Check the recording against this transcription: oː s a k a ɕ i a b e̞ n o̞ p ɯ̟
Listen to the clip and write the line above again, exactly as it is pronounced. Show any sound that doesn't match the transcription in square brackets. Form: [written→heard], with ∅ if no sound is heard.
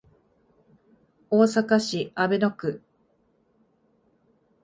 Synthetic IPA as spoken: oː s a k a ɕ i a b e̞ n o̞ [p→k] ɯ̟